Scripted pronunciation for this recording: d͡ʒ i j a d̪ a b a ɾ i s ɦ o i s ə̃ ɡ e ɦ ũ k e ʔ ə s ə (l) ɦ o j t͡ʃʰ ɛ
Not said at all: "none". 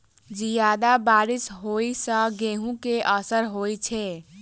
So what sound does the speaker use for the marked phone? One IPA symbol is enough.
ɾ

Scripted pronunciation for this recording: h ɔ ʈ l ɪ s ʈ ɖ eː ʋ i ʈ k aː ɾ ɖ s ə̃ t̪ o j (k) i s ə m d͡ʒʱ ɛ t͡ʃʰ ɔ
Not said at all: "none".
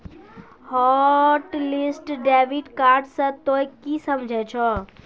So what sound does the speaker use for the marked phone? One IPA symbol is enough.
k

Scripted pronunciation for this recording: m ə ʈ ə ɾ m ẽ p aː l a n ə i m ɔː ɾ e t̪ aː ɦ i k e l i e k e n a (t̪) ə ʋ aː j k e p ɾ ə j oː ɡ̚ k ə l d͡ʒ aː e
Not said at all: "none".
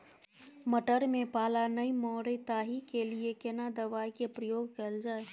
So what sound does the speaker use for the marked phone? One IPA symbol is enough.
d̪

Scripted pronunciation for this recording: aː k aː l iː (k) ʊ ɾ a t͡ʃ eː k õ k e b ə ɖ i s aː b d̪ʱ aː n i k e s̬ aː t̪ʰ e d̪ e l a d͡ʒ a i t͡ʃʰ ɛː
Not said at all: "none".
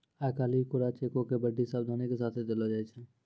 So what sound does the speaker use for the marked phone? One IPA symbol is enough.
k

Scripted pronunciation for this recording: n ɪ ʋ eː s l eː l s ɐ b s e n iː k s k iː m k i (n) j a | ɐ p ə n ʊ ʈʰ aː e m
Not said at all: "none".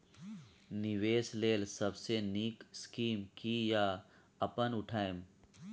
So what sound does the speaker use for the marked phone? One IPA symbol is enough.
none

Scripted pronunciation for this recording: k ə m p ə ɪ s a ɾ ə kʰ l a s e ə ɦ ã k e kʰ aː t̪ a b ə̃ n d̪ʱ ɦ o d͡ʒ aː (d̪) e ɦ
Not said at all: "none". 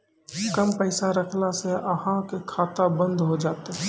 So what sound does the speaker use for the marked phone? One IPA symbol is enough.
t̪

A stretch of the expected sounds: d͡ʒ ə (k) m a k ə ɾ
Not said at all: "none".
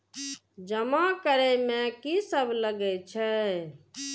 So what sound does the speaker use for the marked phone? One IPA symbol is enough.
none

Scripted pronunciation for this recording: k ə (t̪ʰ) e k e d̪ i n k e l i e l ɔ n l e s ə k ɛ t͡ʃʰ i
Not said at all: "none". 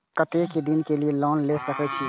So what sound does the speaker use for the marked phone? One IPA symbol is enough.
t̪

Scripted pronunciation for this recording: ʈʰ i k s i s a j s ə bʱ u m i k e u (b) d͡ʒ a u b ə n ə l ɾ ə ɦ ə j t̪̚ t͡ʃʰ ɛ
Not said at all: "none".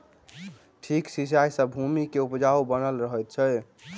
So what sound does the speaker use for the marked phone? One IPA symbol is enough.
p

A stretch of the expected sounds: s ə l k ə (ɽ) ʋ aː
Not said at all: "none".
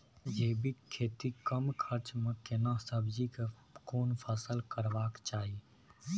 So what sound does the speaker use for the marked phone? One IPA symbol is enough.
ɾ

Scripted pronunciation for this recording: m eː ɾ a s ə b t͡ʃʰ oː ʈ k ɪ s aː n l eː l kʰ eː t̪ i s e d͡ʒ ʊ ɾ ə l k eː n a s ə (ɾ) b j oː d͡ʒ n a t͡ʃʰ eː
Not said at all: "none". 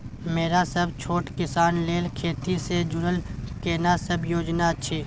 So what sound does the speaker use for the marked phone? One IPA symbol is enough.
none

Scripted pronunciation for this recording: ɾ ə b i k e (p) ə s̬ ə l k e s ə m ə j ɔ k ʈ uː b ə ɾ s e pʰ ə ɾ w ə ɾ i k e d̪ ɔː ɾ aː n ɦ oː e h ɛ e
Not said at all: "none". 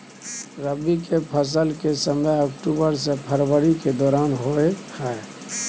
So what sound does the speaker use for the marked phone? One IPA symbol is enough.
pʰ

